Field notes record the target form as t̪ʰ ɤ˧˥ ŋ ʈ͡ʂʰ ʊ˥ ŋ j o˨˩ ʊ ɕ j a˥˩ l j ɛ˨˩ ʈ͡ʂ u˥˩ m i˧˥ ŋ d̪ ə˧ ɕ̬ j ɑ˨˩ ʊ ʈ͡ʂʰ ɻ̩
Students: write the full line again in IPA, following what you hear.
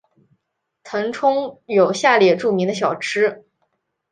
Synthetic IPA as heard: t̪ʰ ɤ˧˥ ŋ ʈ͡ʂʰ ʊ˥ ŋ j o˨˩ ʊ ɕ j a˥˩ l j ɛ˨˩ ʈ͡ʂ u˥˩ m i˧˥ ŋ d̪ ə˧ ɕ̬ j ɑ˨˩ ʊ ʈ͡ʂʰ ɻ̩